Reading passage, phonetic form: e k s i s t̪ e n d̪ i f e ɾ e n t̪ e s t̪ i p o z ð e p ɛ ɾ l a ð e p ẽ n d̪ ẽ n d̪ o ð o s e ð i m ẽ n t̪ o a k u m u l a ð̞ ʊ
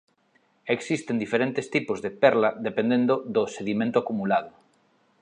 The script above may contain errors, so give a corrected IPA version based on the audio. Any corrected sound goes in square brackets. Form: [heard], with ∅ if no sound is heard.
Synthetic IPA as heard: e k s i s t̪ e n d̪ i f e ɾ e n t̪ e s t̪ i p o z ð e p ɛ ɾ l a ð e p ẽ n d̪ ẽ n d̪ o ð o s e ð i m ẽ n t̪ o a k u m u l a ð̞ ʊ

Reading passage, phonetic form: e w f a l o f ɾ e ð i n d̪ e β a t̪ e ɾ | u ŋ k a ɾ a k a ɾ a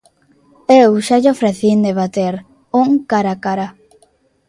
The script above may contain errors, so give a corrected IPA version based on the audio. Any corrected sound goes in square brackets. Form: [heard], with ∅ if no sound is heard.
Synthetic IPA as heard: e w [ʃ] a [ʎ] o f ɾ e [θ] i n d̪ e β a t̪ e ɾ | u ŋ k a ɾ a k a ɾ a

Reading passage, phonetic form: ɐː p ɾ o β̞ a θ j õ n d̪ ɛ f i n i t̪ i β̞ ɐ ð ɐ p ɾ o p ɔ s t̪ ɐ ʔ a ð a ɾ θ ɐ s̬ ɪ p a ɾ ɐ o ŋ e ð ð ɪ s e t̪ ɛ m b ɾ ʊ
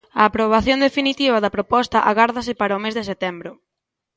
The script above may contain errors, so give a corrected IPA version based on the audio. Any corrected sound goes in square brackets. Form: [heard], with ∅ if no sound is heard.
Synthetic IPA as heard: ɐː p ɾ o β̞ a θ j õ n d̪ [e] f i n i t̪ i β̞ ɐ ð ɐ p ɾ o p ɔ s t̪ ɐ ʔ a [ɣ] a ɾ [ð] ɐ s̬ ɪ p a ɾ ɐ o [m] e [z] ð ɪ s e t̪ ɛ m b ɾ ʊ

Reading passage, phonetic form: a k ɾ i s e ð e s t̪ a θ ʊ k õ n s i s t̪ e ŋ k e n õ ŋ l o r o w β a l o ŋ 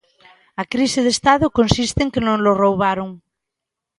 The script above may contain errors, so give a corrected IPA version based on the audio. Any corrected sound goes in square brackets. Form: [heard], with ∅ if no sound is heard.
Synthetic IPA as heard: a k ɾ i s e ð e s t̪ a [ð] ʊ k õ n s i s t̪ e ŋ k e n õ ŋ l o r o w β a [ɾ] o ŋ

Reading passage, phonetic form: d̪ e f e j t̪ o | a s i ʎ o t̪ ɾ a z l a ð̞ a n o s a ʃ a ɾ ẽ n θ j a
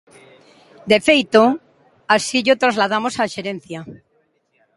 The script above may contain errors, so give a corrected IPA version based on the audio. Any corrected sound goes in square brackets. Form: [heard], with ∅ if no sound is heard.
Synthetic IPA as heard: d̪ e f e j t̪ o | a s i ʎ o t̪ ɾ a z l a ð̞ a [m] o s a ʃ [e] ɾ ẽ n θ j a

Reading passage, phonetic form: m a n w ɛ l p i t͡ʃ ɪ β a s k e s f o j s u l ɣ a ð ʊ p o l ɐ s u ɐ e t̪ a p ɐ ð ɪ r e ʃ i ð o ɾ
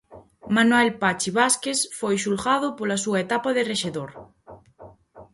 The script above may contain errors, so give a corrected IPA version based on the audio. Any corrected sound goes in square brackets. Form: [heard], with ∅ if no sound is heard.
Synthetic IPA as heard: m a n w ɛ l p [a] t͡ʃ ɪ β a s k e s f o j [ʃ] u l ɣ a ð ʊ p o l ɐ s u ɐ e t̪ a p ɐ ð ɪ r e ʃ [e] ð o ɾ

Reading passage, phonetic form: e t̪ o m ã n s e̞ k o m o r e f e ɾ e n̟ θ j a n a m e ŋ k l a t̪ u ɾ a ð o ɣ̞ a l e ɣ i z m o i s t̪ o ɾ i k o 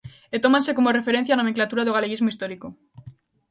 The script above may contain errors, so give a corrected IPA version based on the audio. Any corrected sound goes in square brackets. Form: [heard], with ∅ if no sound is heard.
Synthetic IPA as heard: e t̪ o m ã n s e̞ k o m o r e f e ɾ e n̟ θ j a n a m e ŋ k l a t̪ u ɾ a ð o ɣ̞ a l e ɣ i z m o i s t̪ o ɾ i k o

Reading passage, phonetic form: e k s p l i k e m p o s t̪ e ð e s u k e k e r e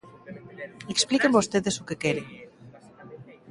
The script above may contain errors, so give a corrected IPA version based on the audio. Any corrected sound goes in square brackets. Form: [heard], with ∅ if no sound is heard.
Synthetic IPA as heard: e k s p l i k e m [b] o s t̪ e ð e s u k e k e [ɾ] e

